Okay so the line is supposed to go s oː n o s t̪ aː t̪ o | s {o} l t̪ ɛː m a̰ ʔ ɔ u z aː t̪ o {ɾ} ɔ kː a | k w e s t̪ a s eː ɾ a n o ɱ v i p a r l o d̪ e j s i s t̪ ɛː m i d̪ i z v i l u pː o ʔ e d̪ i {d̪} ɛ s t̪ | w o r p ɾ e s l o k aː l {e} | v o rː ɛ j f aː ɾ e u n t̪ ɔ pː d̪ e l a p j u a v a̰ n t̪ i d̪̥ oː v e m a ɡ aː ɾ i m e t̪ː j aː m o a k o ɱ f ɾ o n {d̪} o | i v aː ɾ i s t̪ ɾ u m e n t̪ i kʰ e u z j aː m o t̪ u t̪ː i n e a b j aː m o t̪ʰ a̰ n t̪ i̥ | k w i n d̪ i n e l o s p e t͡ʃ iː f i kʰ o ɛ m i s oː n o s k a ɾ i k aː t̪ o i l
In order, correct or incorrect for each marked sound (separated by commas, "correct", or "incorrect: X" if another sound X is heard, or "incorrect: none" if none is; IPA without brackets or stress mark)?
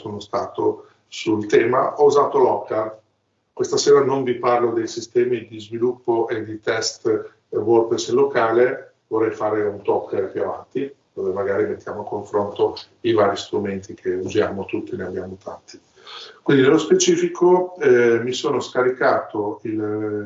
incorrect: u, incorrect: l, incorrect: t̪, correct, incorrect: t̪